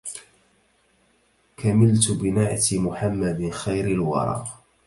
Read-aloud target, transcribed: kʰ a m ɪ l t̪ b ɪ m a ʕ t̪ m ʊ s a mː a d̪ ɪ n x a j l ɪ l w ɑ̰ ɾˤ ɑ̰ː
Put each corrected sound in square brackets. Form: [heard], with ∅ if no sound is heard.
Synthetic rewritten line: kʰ a m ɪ l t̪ b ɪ [n] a ʕ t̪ m ʊ [ħ] a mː a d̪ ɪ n x a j [ɾ] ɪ l w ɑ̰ ɾˤ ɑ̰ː